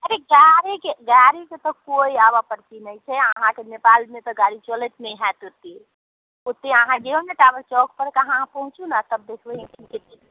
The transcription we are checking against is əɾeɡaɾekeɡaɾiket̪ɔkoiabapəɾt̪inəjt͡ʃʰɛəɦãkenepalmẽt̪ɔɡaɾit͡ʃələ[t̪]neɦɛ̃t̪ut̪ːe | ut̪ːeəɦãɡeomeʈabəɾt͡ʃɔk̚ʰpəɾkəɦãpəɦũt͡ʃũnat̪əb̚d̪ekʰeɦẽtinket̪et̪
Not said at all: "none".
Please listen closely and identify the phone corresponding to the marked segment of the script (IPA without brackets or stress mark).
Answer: t̪